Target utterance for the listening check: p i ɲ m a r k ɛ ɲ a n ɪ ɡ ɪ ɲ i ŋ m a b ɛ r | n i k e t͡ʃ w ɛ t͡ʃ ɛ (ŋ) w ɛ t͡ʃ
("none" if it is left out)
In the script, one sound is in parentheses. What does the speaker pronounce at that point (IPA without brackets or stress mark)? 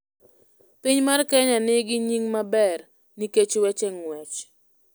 ŋ